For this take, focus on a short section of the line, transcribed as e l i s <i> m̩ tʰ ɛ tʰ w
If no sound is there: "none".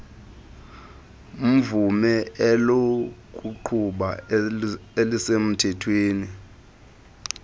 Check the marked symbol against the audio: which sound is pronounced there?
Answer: e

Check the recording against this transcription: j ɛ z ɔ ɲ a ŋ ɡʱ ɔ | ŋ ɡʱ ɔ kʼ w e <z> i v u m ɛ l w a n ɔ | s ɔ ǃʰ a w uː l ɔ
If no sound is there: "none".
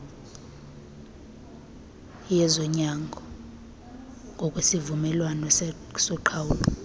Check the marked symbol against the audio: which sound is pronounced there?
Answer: s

